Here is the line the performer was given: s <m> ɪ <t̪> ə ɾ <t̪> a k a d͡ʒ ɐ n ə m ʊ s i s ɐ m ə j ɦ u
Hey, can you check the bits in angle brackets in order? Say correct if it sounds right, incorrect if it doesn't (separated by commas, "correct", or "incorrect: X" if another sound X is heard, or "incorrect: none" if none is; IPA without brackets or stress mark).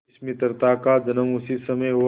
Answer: correct, correct, correct